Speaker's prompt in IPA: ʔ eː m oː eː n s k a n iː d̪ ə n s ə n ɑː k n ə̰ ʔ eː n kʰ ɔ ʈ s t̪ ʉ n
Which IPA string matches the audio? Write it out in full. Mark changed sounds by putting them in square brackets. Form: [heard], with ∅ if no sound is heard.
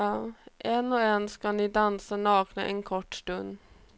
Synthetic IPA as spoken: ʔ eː [n] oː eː n s k [ɑ] n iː d̪ [ɑ] n s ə n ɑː k n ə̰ ʔ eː n kʰ ɔ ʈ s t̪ ʉ n